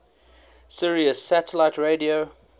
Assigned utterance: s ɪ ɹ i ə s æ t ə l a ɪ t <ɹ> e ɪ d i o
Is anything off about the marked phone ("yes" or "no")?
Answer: no